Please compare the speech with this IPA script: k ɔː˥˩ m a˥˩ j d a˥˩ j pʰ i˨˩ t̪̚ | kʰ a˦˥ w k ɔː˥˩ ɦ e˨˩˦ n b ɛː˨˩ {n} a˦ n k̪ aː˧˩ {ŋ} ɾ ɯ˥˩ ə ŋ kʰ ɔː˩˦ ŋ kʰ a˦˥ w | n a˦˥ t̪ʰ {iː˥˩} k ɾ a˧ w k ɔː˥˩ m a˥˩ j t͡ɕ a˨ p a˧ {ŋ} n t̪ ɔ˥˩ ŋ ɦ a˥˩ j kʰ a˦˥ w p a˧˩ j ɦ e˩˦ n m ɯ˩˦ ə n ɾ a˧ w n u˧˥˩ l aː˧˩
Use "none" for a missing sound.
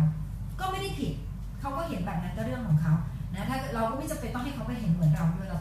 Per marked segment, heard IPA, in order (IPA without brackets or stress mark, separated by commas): n, none, aː˥˩, none